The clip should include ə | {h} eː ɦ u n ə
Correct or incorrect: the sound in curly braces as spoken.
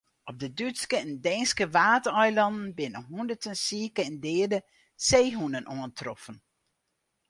incorrect: s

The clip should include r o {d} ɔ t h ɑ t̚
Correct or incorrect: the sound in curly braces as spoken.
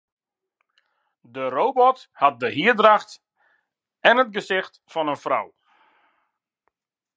incorrect: b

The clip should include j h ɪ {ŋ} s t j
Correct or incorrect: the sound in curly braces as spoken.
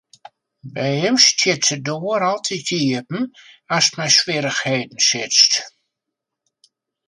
incorrect: m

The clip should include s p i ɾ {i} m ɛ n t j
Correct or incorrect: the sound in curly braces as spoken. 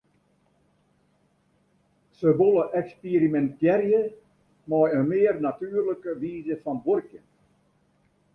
correct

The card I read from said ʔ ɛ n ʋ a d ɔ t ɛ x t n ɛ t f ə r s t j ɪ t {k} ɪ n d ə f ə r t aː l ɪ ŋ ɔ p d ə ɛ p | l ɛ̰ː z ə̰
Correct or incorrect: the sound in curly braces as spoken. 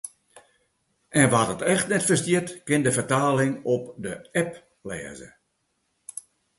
correct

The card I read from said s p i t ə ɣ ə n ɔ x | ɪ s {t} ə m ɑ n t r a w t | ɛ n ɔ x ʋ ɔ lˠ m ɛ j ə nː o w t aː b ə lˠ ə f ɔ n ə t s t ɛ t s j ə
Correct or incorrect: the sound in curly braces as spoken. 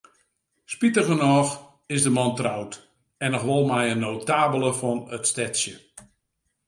incorrect: d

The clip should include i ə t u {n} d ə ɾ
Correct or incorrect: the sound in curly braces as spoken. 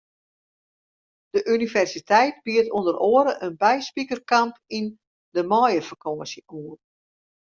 correct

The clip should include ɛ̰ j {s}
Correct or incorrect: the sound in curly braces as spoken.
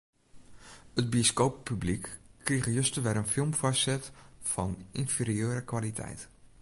incorrect: t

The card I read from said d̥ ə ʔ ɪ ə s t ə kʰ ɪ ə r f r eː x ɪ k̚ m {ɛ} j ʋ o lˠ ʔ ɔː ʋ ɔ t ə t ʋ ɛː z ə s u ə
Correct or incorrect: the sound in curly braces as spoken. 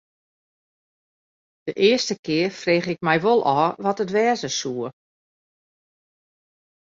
correct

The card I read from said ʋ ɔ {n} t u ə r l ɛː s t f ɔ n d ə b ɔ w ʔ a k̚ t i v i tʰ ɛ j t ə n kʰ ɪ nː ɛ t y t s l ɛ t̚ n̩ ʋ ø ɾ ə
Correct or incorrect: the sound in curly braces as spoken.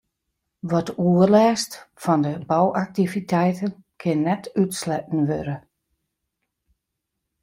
incorrect: none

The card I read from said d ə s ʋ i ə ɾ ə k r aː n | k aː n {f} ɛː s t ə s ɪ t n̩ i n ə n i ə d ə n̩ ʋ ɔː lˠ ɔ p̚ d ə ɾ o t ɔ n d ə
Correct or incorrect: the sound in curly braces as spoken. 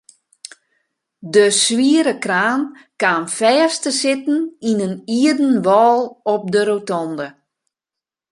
correct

